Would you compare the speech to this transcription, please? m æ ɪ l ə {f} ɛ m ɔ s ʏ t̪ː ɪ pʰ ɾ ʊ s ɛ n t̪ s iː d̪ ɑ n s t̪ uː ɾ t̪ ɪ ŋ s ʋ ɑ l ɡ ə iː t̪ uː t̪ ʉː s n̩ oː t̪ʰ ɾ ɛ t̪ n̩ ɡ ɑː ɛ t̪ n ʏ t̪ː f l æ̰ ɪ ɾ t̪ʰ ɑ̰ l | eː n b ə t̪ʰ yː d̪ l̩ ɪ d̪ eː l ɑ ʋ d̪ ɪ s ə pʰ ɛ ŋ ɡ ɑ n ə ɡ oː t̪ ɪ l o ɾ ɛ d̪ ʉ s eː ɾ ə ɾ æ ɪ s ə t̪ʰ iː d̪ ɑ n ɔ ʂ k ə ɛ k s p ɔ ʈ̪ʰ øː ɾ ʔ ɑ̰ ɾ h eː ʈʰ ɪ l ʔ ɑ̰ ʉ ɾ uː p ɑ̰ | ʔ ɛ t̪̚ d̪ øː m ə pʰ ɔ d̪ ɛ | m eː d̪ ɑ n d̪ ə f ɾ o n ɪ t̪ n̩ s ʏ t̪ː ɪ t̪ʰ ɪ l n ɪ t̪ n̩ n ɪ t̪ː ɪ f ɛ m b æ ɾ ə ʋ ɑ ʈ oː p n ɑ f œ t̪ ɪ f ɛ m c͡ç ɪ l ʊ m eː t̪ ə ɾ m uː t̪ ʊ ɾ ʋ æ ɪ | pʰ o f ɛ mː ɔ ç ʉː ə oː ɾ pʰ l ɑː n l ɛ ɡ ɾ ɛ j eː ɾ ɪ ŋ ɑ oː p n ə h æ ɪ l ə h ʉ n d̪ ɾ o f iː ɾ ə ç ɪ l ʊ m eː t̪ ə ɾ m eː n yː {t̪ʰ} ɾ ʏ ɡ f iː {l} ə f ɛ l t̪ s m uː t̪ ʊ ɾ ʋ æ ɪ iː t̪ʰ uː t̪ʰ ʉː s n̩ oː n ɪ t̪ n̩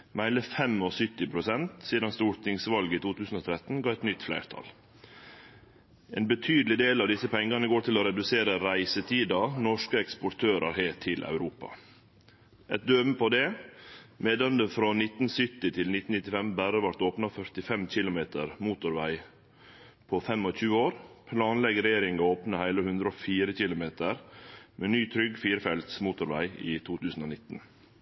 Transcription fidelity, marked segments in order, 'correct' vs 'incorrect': correct, correct, incorrect: ɾ

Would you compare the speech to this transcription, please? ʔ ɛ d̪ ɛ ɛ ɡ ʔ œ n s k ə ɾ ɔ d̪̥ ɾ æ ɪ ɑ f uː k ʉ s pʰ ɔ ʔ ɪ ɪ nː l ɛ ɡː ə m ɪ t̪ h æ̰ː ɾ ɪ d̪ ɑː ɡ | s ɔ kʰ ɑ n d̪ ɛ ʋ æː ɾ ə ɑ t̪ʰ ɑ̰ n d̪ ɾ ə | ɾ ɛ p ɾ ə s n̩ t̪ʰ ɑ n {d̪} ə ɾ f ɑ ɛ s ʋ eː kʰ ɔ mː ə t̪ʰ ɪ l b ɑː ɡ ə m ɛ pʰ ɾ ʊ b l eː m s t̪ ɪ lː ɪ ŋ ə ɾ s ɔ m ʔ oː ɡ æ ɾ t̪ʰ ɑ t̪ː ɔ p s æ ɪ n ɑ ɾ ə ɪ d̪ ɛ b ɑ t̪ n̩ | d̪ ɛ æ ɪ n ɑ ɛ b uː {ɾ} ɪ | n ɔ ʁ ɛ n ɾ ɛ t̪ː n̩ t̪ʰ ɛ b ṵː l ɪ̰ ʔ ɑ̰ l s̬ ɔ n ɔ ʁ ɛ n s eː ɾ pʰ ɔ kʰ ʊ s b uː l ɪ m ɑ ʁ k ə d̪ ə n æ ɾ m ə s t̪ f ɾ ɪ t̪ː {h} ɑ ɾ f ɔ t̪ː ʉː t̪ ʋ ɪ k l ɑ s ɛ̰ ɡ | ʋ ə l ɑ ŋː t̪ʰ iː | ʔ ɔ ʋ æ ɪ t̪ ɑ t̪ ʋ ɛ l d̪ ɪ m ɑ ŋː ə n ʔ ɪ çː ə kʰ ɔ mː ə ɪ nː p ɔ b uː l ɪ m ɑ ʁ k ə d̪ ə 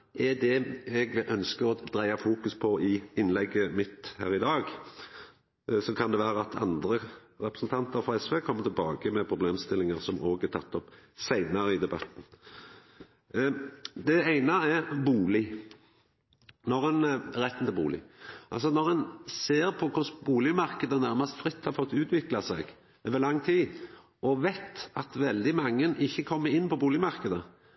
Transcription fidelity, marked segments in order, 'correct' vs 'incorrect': incorrect: t̪, incorrect: l, correct

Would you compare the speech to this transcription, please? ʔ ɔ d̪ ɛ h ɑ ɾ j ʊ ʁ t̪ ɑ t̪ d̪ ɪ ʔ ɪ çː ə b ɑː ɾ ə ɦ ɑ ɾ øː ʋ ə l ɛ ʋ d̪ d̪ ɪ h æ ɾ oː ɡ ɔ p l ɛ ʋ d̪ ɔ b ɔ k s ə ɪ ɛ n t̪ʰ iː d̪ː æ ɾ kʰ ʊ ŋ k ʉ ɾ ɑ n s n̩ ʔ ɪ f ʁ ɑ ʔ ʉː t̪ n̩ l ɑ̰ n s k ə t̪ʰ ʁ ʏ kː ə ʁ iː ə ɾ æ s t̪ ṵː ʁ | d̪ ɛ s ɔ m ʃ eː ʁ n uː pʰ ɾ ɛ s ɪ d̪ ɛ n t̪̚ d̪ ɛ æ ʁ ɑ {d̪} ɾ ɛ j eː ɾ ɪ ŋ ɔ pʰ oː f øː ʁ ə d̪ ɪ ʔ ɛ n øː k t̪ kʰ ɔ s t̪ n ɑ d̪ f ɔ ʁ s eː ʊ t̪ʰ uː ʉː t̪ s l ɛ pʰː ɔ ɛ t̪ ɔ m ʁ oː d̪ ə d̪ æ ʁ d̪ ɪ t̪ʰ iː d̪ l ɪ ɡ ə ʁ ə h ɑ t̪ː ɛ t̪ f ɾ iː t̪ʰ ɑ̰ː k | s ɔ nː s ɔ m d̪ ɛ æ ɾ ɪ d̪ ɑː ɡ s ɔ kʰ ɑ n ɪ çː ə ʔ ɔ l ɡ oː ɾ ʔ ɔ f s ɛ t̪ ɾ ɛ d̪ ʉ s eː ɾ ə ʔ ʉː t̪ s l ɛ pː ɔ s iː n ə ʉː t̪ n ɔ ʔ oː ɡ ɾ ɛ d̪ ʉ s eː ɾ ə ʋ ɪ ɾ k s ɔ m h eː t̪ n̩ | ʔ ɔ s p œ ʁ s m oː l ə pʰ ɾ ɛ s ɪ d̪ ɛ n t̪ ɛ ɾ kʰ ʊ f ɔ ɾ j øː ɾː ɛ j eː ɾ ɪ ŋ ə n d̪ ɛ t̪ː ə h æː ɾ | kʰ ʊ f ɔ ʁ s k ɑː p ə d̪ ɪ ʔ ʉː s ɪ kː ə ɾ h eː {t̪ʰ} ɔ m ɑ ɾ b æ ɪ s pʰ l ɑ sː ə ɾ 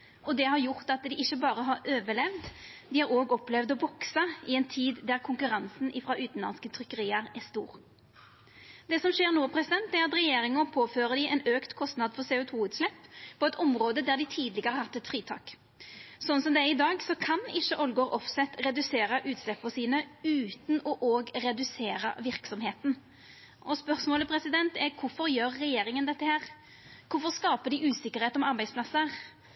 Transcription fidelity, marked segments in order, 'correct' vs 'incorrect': incorrect: t̪, incorrect: t̪

